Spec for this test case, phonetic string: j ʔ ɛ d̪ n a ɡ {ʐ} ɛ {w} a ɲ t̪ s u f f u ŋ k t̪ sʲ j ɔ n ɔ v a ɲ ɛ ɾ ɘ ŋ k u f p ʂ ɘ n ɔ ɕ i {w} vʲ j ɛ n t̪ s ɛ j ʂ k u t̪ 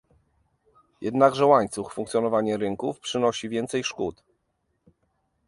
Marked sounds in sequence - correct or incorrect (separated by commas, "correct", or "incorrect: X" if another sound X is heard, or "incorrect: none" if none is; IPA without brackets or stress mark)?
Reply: correct, correct, incorrect: none